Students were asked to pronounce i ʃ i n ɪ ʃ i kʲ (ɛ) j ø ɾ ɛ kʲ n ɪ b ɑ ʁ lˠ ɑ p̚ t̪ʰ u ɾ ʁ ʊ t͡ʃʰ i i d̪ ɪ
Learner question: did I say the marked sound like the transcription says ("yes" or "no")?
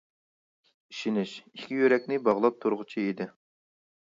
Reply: no